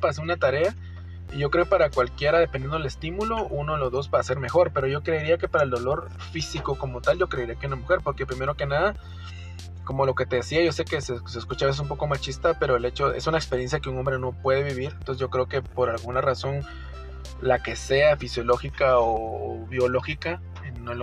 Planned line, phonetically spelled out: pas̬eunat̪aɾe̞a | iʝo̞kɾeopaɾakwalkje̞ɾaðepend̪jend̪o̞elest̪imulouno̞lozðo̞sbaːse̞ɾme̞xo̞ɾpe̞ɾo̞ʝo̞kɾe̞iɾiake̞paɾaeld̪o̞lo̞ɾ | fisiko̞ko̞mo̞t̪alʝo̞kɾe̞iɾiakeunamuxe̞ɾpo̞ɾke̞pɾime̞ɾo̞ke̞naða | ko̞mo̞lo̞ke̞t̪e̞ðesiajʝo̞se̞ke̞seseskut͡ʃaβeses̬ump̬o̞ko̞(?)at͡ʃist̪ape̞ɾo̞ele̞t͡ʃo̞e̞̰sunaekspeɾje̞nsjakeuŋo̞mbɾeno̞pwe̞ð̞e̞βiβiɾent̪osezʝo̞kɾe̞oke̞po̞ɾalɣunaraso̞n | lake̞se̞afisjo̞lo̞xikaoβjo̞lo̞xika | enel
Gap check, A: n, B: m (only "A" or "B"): B